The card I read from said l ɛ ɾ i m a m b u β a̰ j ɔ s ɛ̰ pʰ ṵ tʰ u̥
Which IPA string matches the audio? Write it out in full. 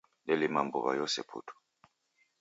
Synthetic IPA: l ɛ l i m a m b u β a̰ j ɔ s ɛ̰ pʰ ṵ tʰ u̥